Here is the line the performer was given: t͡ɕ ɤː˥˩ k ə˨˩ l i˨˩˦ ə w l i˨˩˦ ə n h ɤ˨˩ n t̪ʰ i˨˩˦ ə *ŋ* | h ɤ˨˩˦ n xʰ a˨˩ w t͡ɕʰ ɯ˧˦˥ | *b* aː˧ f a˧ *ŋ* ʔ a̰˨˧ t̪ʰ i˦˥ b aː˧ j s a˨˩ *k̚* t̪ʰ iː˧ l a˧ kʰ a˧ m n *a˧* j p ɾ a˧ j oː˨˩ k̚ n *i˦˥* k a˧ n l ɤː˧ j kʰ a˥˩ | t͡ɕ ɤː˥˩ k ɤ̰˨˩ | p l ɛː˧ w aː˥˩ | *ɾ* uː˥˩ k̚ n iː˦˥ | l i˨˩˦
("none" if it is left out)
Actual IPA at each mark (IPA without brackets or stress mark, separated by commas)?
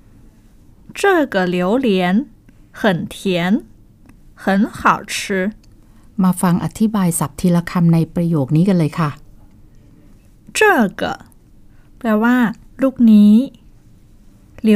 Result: n, m, ŋ, p̚, a˧, iː˦˥, l